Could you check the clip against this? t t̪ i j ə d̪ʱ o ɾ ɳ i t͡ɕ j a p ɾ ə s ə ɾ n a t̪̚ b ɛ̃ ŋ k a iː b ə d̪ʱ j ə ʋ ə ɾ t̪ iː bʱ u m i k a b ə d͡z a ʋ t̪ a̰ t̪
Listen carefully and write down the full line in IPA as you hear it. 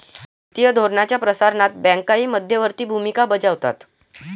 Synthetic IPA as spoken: t t̪ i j ə d̪ʱ o ɾ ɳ a t͡ɕ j a p ɾ ə s a ɾ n a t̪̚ b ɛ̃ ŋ k a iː m ə d̪ʱ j ə ʋ ə ɾ t̪ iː bʱ u m i k a b ə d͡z a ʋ t̪ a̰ t̪